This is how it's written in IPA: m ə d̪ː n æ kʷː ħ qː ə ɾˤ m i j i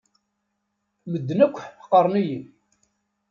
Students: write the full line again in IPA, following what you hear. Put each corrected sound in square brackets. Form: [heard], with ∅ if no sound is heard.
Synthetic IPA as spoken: m ə d̪ː n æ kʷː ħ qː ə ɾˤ [n] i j i